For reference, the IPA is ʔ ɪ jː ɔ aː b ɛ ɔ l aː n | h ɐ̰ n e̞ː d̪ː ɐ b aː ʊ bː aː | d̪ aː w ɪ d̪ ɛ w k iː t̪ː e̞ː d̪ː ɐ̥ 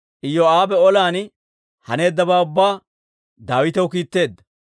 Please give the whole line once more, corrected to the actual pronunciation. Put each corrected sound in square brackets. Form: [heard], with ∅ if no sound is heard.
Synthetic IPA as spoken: ʔ ɪ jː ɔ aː b ɛ ɔ l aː n | h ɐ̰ n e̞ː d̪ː ɐ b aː ʊ bː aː | d̪ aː w ɪ [t̪] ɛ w k iː t̪ː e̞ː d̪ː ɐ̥